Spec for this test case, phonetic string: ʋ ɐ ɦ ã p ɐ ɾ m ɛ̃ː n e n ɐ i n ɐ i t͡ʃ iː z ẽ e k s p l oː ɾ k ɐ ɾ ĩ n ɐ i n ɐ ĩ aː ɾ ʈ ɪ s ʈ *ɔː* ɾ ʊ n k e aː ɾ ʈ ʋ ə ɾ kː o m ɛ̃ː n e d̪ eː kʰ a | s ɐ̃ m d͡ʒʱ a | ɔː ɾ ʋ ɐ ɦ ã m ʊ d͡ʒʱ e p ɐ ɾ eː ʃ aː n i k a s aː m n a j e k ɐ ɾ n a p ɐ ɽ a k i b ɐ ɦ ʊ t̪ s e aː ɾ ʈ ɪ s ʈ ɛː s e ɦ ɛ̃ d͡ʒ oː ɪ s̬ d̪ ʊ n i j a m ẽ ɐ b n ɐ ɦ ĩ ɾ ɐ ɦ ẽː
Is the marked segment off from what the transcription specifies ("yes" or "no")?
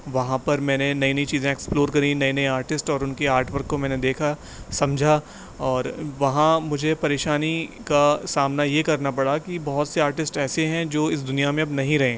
no